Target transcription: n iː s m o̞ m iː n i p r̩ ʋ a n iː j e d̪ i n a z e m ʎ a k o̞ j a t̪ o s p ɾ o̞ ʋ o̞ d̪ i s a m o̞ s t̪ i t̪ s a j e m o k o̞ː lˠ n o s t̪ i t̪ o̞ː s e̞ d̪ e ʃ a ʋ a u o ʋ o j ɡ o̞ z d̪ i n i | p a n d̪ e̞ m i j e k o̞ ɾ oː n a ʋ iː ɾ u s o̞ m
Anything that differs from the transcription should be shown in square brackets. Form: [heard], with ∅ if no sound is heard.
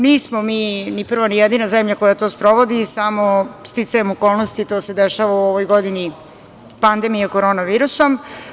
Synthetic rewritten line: n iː s m o̞ m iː n i p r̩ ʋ a n [i] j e d̪ i n a z e m ʎ a k o̞ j a t̪ o s p ɾ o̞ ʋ o̞ d̪ i s a m o̞ s t̪ i t̪ s a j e m o k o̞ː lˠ n o s t̪ i t̪ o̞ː s e̞ d̪ e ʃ a ʋ a u o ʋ o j ɡ o̞ [∅] d̪ i n i | p a n d̪ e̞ m i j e k o̞ ɾ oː n a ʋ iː ɾ u s o̞ m